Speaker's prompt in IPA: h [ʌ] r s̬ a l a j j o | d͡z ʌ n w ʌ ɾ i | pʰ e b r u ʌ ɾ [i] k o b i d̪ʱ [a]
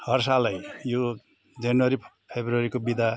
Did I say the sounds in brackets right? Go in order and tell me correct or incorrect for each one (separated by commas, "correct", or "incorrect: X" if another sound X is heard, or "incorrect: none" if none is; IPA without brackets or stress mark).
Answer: correct, correct, correct